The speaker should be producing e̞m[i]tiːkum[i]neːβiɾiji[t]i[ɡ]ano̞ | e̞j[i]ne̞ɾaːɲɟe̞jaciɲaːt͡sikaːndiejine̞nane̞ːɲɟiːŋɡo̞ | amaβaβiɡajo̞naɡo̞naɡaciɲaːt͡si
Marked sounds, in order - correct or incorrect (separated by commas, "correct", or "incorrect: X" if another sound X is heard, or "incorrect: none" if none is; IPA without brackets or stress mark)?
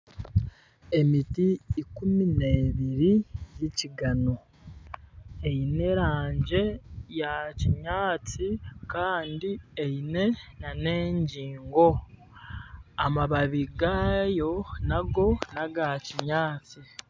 correct, correct, incorrect: c, correct, correct